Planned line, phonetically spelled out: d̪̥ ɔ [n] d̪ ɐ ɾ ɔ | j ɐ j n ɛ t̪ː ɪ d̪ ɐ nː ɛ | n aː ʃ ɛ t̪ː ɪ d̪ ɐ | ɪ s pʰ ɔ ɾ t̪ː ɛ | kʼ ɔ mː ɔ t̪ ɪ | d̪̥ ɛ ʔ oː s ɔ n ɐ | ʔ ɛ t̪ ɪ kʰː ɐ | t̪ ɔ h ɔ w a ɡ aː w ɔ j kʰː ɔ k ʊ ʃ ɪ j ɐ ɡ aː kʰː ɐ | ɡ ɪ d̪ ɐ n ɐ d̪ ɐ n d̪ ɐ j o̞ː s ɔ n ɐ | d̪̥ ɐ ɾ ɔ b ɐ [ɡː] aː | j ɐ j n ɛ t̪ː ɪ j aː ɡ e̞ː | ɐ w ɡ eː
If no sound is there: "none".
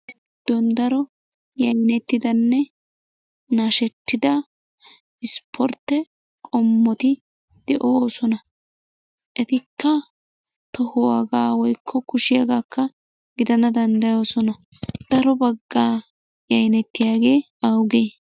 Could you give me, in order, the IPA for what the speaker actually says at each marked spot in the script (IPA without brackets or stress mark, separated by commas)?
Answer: n, ɡː